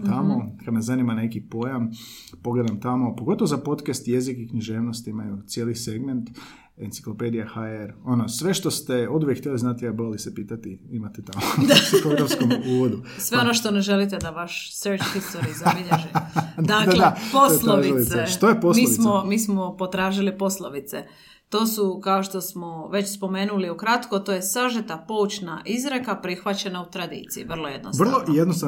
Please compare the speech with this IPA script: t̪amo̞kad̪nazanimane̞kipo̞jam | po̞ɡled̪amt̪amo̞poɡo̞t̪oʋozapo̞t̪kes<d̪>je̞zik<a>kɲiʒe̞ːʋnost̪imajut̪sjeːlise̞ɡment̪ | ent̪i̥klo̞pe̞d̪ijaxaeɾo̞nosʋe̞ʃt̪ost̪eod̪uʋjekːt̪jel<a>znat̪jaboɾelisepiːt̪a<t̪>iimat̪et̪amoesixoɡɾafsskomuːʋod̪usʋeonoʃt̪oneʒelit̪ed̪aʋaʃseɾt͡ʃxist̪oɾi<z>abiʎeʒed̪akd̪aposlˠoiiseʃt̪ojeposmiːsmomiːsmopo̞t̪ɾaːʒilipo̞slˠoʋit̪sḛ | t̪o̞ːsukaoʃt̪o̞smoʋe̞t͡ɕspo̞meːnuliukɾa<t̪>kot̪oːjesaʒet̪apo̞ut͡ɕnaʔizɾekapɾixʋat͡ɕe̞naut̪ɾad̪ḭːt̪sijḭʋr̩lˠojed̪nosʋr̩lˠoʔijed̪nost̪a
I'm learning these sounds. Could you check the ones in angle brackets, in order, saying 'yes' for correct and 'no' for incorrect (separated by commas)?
no, no, no, yes, yes, yes